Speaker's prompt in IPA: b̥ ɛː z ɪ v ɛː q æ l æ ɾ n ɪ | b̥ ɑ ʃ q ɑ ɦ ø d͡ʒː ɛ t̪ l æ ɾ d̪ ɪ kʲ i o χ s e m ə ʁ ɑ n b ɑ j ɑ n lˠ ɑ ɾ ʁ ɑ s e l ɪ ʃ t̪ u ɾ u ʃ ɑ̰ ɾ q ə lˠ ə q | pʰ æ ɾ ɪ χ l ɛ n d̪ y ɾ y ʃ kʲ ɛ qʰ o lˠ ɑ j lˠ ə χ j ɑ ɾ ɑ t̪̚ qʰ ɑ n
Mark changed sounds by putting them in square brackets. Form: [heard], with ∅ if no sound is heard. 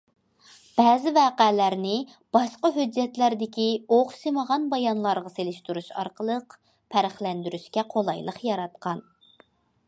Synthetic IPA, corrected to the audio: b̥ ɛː z ɪ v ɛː q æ l æ ɾ n ɪ | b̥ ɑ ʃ q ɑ ɦ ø d͡ʒː ɛ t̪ l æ ɾ d̪ ɪ kʲ i o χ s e m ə ʁ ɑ n b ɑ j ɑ n lˠ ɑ ɾ ʁ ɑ s e l ɪ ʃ t̪ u ɾ u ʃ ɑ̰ ɾ q ə lˠ ə q | pʰ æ ɾ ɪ χ l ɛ n d̪ y ɾ y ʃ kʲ ɛ qʰ o lˠ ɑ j lˠ ə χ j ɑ ɾ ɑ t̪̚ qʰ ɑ n